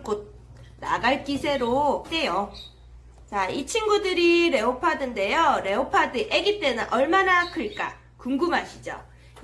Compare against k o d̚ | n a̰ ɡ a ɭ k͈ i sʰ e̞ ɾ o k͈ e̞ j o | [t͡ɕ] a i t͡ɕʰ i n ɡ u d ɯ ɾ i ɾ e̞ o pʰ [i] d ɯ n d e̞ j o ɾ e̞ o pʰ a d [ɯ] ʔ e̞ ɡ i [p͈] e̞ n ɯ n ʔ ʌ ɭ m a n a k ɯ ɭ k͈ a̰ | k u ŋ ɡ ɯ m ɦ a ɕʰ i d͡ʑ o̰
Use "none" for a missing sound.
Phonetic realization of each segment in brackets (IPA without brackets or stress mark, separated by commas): t͡ɕ, a, ɯ, t͈